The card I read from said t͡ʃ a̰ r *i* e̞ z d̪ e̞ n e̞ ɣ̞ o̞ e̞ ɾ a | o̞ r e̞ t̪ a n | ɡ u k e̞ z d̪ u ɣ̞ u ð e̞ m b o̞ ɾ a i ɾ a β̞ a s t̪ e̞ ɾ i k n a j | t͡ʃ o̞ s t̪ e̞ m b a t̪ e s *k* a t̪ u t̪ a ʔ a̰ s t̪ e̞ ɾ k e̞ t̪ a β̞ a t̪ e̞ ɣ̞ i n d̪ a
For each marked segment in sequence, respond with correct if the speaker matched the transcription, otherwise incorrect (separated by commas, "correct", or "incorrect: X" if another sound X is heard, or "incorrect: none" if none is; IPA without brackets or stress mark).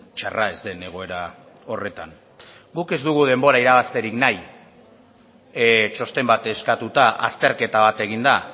incorrect: a, correct